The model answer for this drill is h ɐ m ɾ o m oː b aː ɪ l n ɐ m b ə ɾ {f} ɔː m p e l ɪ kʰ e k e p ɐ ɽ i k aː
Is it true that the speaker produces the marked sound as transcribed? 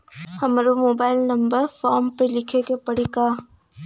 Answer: yes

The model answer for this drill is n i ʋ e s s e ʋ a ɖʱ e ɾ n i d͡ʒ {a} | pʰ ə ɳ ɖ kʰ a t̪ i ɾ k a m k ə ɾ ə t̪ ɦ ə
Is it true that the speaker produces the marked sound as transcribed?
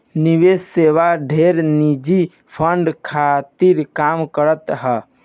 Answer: no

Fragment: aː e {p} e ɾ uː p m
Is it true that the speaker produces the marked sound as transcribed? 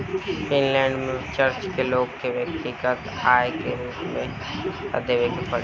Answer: no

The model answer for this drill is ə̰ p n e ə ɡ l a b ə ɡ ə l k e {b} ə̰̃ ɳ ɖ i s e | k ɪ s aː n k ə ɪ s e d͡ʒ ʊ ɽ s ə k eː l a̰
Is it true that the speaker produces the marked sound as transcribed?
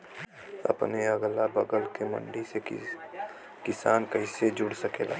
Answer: no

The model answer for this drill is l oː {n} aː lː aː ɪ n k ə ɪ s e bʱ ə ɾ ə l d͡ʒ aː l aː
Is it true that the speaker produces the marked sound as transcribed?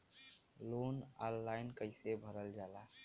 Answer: yes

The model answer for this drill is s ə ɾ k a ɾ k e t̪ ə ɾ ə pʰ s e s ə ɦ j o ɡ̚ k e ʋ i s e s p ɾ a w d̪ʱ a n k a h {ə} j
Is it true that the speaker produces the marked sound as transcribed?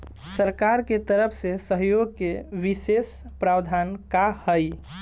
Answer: yes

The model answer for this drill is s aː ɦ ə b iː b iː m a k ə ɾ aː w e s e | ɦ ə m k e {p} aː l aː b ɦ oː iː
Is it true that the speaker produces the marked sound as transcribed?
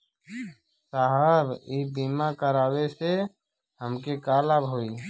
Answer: no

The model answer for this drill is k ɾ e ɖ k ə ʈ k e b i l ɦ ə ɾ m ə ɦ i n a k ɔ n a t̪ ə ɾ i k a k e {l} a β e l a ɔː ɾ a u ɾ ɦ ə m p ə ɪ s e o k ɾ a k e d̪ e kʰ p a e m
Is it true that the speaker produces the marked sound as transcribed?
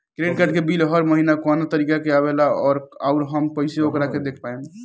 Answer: no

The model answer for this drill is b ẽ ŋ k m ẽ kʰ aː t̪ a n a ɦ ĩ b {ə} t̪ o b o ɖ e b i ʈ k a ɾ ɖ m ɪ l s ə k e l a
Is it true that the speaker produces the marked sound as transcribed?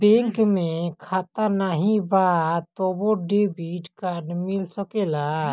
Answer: no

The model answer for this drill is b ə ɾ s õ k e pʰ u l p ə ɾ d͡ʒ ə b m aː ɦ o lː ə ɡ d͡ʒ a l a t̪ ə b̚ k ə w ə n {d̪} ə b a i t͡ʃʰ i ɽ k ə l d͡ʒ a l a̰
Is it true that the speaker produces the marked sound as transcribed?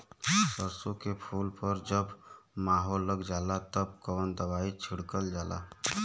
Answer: yes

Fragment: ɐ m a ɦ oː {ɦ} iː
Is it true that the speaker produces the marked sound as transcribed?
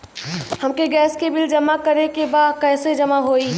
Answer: no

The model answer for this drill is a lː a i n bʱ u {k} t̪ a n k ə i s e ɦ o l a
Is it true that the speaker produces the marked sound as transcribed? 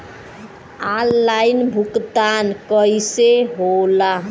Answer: yes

